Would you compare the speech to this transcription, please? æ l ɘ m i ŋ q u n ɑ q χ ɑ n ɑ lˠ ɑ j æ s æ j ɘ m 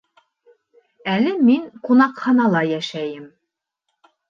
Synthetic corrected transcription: æ l ɘ m i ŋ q u n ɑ q χ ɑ n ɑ lˠ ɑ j æ ʃ æ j ɘ m